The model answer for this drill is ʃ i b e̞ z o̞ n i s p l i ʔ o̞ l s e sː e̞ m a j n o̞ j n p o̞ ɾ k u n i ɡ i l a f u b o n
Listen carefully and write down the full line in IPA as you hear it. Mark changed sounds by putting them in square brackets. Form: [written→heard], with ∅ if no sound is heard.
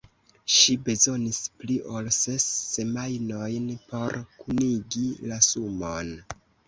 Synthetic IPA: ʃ i b e̞ z o̞ n i s p l i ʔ o̞ l s e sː e̞ m a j n o̞ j n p o̞ ɾ k u n i ɡ i l a [f→s] u [b→m] o n